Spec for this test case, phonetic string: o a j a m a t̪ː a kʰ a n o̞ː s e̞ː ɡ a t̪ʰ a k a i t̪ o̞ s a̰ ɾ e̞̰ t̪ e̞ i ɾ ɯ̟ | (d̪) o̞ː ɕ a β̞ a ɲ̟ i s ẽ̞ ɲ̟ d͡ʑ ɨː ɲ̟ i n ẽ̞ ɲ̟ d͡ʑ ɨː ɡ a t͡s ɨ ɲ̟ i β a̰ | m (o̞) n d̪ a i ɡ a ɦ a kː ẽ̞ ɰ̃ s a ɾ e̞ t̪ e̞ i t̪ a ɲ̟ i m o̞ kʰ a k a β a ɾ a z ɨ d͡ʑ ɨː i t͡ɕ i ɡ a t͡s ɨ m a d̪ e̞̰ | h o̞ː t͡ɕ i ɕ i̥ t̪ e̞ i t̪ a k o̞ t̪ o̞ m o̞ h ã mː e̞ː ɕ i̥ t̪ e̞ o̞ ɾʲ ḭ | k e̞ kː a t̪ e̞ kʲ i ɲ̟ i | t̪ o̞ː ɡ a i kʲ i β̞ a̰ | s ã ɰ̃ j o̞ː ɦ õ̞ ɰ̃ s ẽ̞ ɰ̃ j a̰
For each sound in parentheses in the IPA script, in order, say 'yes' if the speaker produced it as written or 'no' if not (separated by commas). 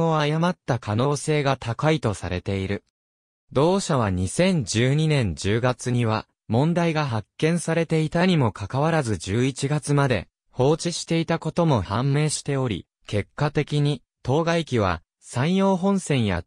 yes, no